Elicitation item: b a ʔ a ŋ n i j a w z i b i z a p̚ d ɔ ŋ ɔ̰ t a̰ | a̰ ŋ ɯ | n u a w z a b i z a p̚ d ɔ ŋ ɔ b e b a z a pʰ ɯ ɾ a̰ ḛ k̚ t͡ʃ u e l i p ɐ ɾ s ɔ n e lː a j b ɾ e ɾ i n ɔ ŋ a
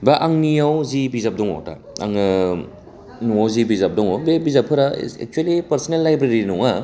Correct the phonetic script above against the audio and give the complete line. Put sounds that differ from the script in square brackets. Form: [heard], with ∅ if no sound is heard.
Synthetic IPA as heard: b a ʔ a ŋ n i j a w z i b i z a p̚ d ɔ ŋ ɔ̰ t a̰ | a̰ ŋ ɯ | n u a w z [i] b i z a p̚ d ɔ ŋ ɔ b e b [i] z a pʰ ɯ ɾ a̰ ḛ k̚ t͡ʃ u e l i p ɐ ɾ s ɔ n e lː a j b ɾ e ɾ i n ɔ ŋ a